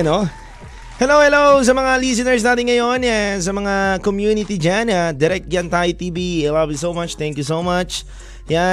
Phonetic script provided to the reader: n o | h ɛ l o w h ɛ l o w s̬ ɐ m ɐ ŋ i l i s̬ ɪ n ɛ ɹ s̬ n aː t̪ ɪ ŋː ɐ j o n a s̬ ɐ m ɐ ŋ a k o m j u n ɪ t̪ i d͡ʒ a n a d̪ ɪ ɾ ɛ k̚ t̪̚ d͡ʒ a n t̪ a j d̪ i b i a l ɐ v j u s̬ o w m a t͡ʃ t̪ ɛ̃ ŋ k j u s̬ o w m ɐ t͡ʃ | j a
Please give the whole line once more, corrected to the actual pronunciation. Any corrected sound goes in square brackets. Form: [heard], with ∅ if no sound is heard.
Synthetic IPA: n o | h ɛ l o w h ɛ l o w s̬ ɐ m ɐ ŋ [a] l i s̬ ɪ n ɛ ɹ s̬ n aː t̪ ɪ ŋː ɐ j o n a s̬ ɐ m ɐ ŋ a k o m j u n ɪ t̪ i d͡ʒ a n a d̪ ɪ ɾ ɛ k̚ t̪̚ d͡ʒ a n t̪ a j [t̪] i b i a l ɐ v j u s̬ o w m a t͡ʃ t̪ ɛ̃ ŋ k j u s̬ o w m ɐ t͡ʃ | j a